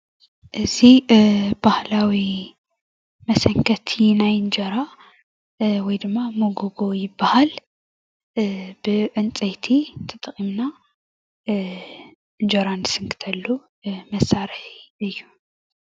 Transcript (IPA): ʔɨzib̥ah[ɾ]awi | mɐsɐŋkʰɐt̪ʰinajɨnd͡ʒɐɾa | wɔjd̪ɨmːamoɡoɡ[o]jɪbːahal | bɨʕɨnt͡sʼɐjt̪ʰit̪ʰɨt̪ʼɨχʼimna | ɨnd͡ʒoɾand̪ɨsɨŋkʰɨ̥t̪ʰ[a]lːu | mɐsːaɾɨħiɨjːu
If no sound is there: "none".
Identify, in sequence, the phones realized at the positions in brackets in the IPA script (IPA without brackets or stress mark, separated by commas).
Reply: l, o, ɐ